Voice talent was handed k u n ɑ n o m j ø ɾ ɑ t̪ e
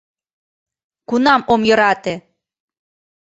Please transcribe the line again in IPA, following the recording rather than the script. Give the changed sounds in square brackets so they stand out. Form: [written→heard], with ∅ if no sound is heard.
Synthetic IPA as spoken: k u n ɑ [n→m] o m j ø ɾ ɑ t̪ e

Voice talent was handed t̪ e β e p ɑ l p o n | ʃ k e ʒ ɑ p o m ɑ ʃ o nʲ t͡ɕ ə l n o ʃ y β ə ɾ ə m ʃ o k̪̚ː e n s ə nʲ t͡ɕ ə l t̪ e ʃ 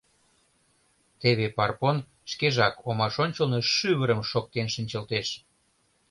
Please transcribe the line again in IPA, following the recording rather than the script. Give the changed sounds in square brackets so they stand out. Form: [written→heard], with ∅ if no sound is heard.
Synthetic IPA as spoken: t̪ e β e p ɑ [l→r] p o n | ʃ k e ʒ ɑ [p→k] o m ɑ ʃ o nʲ t͡ɕ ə l n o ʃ y β ə ɾ ə m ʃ o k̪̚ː e n [s→ʃ] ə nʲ t͡ɕ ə l t̪ e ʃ

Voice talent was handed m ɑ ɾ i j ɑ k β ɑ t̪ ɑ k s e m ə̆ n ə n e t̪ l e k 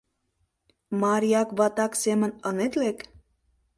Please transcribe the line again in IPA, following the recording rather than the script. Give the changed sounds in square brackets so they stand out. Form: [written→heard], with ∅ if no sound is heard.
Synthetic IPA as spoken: m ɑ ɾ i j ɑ k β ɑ t̪ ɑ k s e m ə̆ n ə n e t̪ l e k

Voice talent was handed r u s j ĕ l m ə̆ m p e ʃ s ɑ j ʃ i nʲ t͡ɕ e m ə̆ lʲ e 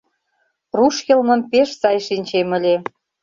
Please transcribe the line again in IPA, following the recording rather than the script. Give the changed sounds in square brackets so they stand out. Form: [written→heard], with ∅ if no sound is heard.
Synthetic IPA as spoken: r u [s→ʃ] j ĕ l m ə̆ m p e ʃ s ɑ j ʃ i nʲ t͡ɕ e m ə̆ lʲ e

